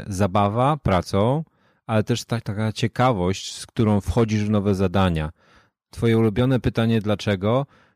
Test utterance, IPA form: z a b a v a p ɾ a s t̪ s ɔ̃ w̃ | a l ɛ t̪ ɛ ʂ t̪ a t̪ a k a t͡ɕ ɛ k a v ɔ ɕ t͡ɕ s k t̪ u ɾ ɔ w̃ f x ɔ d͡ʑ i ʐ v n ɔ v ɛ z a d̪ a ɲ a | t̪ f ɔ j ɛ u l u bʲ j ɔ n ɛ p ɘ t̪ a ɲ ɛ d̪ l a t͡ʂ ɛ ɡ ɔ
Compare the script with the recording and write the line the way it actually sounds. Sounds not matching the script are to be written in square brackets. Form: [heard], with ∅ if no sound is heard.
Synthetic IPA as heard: z a b a v a p ɾ a [∅] t̪ s ɔ̃ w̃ | a l ɛ t̪ ɛ ʂ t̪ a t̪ a k a t͡ɕ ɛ k a v ɔ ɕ t͡ɕ s k t̪ u ɾ [ɔ̃] w̃ f x ɔ d͡ʑ i ʐ v n ɔ v ɛ z a d̪ a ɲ a | t̪ f ɔ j ɛ u l u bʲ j ɔ n ɛ p ɘ t̪ a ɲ ɛ d̪ l a t͡ʂ ɛ ɡ ɔ